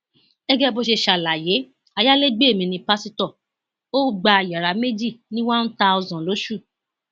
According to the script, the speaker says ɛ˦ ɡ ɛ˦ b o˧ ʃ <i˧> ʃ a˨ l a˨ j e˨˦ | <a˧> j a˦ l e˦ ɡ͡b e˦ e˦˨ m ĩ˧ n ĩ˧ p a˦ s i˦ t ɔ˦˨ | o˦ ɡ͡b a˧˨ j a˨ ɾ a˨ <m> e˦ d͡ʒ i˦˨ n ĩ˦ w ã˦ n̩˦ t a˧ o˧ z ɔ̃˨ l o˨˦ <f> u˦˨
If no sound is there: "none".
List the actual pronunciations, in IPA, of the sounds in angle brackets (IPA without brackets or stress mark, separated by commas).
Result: e˧, a˧, m, ʃ